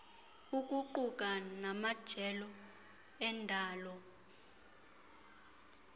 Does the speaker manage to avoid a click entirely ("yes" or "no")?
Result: no